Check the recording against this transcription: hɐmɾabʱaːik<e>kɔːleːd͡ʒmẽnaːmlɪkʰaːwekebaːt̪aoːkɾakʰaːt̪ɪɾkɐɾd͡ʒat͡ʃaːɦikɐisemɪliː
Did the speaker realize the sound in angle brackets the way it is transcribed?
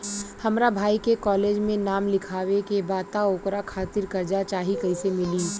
yes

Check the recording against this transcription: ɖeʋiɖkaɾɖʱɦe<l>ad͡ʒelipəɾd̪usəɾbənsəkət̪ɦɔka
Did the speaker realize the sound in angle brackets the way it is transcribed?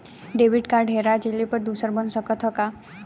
no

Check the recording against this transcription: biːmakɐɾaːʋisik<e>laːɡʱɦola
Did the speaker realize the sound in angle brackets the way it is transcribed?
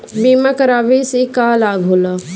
no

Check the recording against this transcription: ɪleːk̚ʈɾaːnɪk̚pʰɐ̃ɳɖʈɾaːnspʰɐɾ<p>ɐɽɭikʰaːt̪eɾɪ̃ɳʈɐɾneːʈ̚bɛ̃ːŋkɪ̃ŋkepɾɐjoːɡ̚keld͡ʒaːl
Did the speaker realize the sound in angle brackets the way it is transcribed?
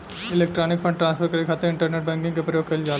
no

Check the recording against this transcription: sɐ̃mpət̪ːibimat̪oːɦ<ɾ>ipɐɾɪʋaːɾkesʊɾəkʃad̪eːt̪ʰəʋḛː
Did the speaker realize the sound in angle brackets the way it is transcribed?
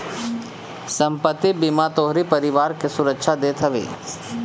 yes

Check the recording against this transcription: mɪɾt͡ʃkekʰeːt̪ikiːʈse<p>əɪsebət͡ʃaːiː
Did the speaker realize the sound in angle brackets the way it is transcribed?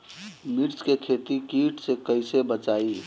no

